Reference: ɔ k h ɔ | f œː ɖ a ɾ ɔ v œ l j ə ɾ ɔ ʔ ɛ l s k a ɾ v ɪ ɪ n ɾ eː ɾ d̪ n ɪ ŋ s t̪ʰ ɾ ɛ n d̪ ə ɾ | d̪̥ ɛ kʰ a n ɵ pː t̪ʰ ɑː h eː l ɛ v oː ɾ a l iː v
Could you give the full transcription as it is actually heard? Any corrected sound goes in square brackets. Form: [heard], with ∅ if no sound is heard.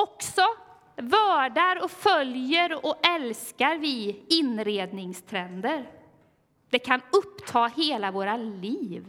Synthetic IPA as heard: ɔ k [s] ɔ | [v] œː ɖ a ɾ ɔ [f] œ l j ə ɾ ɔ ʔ ɛ l s k a ɾ v ɪ ɪ n ɾ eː [∅] d̪ n ɪ ŋ s t̪ʰ ɾ ɛ n d̪ ə ɾ | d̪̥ ɛ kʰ a n ɵ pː t̪ʰ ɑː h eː l [a] v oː ɾ a l iː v